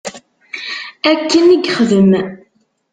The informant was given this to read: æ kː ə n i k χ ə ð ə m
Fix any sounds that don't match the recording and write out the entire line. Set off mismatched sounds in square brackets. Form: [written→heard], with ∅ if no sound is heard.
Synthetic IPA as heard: æ kː ə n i [k→ɡ] χ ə ð ə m